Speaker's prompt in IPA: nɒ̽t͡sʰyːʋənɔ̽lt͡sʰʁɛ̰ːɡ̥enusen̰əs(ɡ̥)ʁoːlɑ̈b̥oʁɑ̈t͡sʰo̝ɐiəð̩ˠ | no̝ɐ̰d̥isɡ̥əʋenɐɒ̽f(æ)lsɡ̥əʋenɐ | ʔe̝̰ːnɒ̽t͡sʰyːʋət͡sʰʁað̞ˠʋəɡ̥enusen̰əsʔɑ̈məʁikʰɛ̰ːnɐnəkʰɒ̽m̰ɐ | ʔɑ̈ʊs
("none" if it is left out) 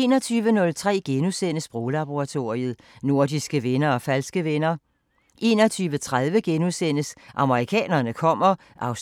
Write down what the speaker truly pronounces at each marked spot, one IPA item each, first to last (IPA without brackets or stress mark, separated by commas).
b̥, æ